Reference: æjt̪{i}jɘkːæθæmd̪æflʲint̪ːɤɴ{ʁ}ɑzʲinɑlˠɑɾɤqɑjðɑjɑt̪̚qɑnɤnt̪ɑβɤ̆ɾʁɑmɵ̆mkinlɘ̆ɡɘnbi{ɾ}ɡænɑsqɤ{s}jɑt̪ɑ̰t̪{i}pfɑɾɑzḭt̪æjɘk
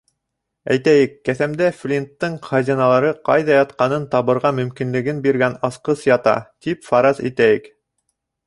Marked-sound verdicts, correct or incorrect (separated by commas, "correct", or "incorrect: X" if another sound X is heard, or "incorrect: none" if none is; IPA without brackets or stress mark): incorrect: æ, incorrect: χ, correct, correct, correct